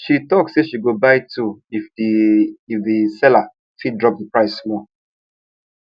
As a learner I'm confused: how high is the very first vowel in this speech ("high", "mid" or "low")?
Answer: high